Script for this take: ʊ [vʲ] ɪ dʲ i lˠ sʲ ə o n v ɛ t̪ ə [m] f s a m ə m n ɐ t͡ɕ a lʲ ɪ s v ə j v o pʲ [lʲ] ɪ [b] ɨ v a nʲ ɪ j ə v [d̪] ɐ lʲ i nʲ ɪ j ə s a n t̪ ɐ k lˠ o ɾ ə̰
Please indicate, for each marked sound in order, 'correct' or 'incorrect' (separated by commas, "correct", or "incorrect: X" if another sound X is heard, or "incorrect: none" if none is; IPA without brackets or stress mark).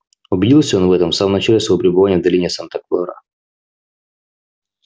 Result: incorrect: bʲ, correct, incorrect: ɾʲ, correct, correct